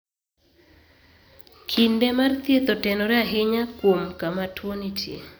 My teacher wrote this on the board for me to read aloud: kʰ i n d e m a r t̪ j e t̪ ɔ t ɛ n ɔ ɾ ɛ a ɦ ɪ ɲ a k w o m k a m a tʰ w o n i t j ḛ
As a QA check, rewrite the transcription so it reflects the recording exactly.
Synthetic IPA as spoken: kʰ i n d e m a r t̪ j e t̪ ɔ t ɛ n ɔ ɾ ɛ a ɦ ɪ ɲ a k w o m k a m a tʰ w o n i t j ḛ

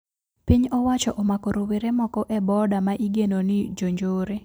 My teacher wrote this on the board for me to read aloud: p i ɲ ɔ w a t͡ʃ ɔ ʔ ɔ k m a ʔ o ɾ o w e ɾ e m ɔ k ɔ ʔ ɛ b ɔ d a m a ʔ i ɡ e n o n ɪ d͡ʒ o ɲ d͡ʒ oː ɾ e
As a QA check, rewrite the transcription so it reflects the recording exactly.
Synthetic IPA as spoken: p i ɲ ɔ w a t͡ʃ ɔ ʔ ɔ m a k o ɾ o w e ɾ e m ɔ k ɔ ʔ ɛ b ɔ d a m a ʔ i ɡ e n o n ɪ d͡ʒ o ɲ d͡ʒ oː ɾ e

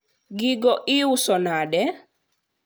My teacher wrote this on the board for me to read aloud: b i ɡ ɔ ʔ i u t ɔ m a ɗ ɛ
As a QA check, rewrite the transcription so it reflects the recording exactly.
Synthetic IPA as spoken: ɡ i ɡ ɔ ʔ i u s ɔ n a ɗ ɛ

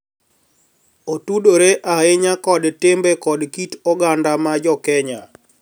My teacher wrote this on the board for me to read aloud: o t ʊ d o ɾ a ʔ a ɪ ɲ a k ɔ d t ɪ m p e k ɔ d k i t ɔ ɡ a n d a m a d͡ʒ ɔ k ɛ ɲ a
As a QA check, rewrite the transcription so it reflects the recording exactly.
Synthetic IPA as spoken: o t u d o ɾ e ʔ a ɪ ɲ a k ɔ d t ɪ m b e k ɔ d k i t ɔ ɡ a n d a m a d͡ʒ ɔ k ɛ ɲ a

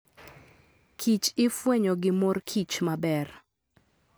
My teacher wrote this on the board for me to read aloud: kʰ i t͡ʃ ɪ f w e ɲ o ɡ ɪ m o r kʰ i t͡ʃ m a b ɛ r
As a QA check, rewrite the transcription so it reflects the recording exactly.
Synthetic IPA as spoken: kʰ i t͡ʃ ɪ f w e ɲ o ɡ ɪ m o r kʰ i t͡ʃ m a b ɛ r

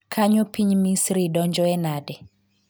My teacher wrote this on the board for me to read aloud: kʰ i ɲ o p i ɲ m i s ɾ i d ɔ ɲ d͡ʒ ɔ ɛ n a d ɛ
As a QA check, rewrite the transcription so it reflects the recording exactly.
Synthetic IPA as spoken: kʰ a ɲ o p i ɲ m i s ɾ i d ɔ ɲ d͡ʒ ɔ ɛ n a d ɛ

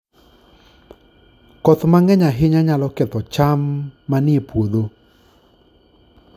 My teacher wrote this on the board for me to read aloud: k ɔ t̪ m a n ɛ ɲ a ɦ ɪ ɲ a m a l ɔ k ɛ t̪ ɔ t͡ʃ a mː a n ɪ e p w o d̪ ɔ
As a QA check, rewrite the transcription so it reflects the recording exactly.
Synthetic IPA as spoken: k ɔ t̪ m a ŋ ɛ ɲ a ɦ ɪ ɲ a ɲ a l ɔ k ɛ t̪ ɔ t͡ʃ a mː a n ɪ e p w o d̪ o

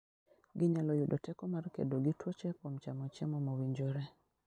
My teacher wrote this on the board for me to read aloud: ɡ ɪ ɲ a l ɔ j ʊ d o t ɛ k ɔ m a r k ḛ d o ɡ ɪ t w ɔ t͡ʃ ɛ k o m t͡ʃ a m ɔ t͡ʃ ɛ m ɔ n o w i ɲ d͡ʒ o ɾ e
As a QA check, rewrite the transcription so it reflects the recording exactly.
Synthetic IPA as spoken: ɡ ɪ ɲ a l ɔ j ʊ d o t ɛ k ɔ m a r k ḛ d o ɡ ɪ t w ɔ t͡ʃ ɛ k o m t͡ʃ a m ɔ t͡ʃ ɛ m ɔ m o w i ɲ d͡ʒ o ɾ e

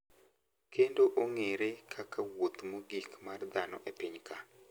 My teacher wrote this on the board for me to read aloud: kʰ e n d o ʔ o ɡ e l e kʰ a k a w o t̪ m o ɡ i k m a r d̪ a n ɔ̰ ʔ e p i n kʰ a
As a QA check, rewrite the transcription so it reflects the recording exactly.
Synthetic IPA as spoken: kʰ e n d o ʔ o ŋ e ɾ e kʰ a k a w o t̪ m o ɡ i k m a r d̪ a n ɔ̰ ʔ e p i ɲ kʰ a

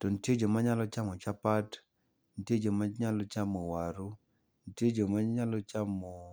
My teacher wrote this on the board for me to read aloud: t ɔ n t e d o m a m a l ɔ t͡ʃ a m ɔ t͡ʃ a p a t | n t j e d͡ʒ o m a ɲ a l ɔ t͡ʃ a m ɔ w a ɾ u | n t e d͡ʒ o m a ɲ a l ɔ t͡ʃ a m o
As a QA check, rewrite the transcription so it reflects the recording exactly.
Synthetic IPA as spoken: t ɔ n t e d͡ʒ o m a ɲ a l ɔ t͡ʃ a m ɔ t͡ʃ a p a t | n t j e d͡ʒ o m a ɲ a l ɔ t͡ʃ a m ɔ w a ɾ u | n t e d͡ʒ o m a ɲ a l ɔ t͡ʃ a m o

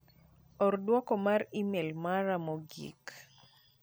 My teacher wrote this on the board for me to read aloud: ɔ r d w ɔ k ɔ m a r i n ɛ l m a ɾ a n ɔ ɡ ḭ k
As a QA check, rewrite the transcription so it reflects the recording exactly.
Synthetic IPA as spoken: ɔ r d w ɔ k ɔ m a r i m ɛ l m a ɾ a m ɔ ɡ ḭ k

